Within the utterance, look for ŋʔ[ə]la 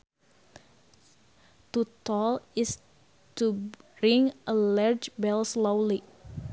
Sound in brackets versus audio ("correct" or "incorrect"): correct